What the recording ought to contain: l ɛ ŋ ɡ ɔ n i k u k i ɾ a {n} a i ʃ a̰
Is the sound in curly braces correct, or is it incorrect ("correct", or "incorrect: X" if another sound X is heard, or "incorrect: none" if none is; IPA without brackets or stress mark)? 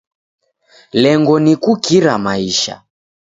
incorrect: m